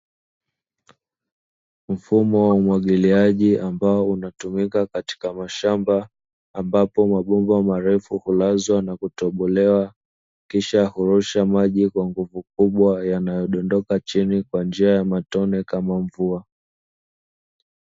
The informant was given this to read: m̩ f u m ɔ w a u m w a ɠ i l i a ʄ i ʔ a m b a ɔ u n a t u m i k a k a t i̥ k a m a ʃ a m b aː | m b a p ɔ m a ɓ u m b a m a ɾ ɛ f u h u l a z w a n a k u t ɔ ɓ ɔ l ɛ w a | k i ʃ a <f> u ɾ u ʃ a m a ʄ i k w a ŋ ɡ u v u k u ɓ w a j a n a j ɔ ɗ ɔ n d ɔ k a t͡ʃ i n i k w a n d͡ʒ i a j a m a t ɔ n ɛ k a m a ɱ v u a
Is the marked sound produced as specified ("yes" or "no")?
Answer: no